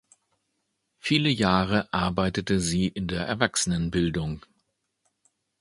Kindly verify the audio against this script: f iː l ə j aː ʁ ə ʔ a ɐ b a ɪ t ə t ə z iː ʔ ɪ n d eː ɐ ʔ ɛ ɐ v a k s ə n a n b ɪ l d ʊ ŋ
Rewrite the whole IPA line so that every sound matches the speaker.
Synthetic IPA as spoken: f iː l ə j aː ʁ ə ʔ a ɐ b a ɪ t ə t ə z iː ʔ ɪ n d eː ɐ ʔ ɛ ɐ v a k s ə n ə n b ɪ l d ʊ ŋ